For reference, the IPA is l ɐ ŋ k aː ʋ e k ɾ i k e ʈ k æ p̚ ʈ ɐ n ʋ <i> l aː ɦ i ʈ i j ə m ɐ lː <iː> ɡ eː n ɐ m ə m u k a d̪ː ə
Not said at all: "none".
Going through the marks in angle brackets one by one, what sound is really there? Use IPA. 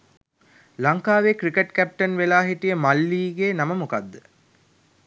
e, iː

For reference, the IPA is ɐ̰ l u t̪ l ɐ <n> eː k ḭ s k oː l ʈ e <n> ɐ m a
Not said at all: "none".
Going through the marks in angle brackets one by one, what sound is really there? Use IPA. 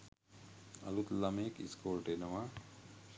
m, n

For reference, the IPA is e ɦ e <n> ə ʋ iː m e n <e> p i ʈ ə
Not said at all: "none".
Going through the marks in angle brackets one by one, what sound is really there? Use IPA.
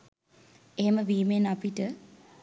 m, a

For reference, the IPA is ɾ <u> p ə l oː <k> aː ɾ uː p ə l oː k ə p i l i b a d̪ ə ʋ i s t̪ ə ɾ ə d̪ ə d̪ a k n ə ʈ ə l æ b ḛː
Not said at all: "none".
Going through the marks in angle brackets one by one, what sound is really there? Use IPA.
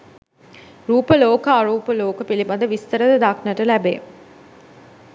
uː, k

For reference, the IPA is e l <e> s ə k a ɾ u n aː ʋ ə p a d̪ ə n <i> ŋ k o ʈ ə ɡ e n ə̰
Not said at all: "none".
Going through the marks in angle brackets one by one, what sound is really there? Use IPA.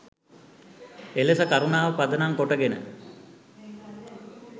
e, a

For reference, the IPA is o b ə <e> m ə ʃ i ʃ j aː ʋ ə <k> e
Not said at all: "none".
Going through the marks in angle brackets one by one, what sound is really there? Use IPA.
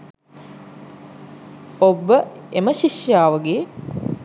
e, ɡ

